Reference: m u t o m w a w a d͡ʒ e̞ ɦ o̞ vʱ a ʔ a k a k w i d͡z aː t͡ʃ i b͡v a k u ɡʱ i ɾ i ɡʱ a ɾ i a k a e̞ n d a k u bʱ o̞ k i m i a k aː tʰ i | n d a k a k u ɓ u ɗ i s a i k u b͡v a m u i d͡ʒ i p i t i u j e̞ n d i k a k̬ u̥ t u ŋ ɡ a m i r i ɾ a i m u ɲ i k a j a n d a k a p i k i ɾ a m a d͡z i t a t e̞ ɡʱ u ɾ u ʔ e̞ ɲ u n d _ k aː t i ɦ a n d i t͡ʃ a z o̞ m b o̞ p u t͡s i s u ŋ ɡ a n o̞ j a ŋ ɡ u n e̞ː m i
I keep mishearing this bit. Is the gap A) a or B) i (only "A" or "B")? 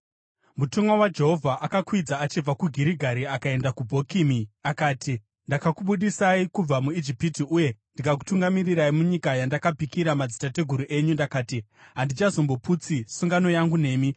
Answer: A